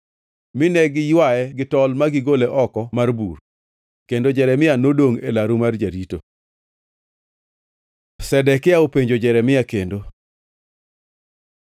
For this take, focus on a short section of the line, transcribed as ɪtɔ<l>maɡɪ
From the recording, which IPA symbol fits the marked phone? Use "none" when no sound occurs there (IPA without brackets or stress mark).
l